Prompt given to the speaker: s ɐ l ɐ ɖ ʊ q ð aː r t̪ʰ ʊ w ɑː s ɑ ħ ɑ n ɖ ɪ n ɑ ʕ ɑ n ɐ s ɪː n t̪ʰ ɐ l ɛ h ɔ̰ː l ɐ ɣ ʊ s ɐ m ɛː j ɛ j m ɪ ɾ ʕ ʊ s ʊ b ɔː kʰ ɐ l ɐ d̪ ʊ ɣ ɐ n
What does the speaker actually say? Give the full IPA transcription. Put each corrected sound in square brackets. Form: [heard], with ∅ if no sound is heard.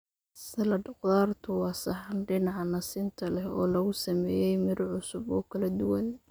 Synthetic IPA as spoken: s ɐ l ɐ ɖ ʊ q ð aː r t̪ʰ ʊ w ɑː s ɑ ħ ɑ n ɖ ɪ n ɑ ʕ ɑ n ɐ s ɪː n t̪ʰ ɐ l ɛ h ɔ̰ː l ɐ ɣ ʊ s ɐ m ɛː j ɛ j m ɪ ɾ ʕ ʊ s ʊ b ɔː kʰ ɐ l ɐ d̪ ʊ [w] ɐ n